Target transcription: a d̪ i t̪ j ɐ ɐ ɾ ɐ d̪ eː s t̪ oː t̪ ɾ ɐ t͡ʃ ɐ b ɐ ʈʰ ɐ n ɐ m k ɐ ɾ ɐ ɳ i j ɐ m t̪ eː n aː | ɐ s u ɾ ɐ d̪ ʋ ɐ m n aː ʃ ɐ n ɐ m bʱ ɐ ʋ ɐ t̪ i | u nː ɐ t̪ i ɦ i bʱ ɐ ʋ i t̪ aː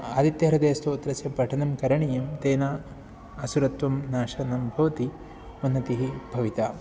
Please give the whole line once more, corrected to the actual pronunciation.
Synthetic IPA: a d̪ i t̪ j ɐ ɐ ɾ ɐ d̪ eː s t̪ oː t̪ ɾ ɐ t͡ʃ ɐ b ɐ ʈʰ ɐ n ɐ m k ɐ ɾ ɐ ɳ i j ɐ m t̪ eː n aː | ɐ s u ɾ ɐ t̪ ʋ ɐ m n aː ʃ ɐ n ɐ m bʱ ɐ ʋ ɐ t̪ i | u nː ɐ t̪ i ɦ i bʱ ɐ ʋ i t̪ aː

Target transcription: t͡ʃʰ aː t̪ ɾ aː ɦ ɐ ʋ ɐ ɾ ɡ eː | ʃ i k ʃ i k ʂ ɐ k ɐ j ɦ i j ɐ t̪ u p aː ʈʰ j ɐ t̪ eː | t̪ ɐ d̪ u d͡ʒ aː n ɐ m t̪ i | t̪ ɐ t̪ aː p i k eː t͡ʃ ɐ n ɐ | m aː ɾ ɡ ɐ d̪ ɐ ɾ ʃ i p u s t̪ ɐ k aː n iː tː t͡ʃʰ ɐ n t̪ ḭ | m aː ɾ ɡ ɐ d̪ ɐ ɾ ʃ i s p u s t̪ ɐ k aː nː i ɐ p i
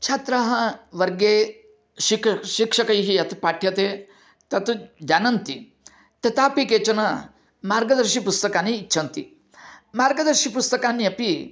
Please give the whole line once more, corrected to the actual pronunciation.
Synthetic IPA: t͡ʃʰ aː t̪ ɾ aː ɦ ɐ ʋ ɐ ɾ ɡ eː | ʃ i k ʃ i k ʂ ɐ k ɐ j ɦ i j ɐ t̪ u p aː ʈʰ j ɐ t̪ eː | t̪ ɐ t̪ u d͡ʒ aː n ɐ n t̪ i | t̪ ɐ t̪ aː p i k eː t͡ʃ ɐ n ɐ | m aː ɾ ɡ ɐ d̪ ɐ ɾ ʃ i p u s t̪ ɐ k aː n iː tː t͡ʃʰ ɐ n t̪ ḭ | m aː ɾ ɡ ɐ d̪ ɐ ɾ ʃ i p u s t̪ ɐ k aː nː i ɐ p i

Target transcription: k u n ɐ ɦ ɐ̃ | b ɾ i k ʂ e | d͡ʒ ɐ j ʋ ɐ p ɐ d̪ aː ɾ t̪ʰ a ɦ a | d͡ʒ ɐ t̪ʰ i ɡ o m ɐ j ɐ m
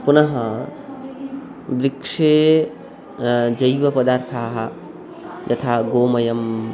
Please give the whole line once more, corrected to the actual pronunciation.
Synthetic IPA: p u n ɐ ɦ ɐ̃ | b ɾ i k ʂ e | d͡ʒ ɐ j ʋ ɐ p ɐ d̪ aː ɾ t̪ʰ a ɦ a | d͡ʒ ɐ t̪ʰ a ɡ o m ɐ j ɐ m

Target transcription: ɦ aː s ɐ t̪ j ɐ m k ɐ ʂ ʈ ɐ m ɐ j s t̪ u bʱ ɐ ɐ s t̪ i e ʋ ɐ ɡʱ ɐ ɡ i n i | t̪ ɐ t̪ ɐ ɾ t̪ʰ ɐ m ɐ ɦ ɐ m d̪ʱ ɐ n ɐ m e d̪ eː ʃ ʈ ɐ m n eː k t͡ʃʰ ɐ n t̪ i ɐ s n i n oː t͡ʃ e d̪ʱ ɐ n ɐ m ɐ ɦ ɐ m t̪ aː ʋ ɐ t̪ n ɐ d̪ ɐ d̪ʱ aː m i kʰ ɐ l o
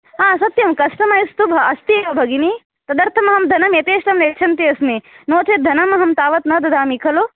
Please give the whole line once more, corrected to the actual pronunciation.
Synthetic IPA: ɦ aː s ɐ t̪ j ɐ m k ɐ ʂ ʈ ɐ m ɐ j s t̪ u bʱ ɐ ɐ s t̪ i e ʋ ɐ bʱ ɐ ɡ i n i | t̪ ɐ d̪ ɐ ɾ t̪ʰ ɐ m ɐ ɦ ɐ m d̪ʱ ɐ n ɐ m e t̪ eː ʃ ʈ ɐ m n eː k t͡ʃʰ ɐ n t̪ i ɐ s m i n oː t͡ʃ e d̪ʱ ɐ n ɐ m ɐ ɦ ɐ m t̪ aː ʋ ɐ t̪ n ɐ d̪ ɐ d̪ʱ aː m i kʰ ɐ l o

